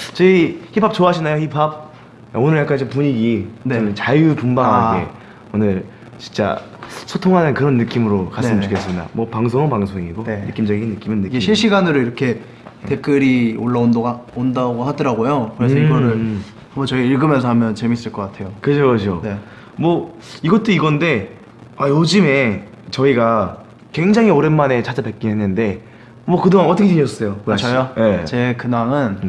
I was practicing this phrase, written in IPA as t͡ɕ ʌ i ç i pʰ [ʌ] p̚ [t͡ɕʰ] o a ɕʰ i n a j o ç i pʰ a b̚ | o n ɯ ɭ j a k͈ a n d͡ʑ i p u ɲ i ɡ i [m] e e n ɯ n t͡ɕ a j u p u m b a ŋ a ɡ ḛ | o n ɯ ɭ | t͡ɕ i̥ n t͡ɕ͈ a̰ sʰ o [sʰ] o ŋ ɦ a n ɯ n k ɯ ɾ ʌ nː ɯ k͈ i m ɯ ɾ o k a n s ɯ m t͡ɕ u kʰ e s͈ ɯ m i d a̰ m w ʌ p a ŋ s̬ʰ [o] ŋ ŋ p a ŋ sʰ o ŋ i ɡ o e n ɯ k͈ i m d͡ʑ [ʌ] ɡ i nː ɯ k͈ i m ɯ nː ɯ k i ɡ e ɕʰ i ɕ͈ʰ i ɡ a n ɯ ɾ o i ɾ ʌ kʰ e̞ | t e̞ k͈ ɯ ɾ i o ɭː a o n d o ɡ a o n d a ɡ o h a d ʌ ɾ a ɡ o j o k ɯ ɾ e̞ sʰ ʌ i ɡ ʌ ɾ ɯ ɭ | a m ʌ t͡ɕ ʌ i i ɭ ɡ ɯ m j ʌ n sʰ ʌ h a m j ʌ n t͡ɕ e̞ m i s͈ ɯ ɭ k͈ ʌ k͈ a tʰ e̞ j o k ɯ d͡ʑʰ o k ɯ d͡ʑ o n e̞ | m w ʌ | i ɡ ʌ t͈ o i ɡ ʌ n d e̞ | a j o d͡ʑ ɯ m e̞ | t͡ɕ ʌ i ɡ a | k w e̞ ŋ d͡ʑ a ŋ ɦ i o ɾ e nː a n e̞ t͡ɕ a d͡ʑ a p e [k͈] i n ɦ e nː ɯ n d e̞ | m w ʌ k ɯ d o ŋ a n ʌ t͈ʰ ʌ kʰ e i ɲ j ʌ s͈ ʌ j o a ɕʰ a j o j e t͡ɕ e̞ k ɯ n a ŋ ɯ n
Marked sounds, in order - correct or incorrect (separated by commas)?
incorrect, incorrect, incorrect, incorrect, correct, correct, correct